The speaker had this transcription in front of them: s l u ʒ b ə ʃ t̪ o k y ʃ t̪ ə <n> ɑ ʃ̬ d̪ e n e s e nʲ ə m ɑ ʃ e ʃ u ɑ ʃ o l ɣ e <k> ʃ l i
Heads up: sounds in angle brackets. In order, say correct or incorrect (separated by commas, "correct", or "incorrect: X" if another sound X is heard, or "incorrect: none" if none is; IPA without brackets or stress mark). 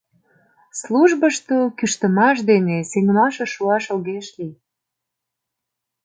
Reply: incorrect: m, incorrect: none